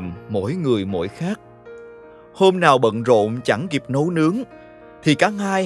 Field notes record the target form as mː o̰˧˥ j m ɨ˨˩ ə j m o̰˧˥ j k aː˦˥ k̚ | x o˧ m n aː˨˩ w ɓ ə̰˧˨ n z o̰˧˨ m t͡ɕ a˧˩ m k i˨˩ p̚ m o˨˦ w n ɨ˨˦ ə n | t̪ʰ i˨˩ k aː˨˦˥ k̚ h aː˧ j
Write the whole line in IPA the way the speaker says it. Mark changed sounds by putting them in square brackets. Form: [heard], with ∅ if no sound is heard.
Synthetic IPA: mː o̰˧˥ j [ŋ] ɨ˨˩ ə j m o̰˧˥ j [x] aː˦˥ k̚ | [h] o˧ m n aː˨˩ w ɓ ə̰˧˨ n z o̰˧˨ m t͡ɕ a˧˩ [ŋ] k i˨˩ p̚ [n] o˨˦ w n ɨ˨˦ ə [ŋ] | t̪ʰ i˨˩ k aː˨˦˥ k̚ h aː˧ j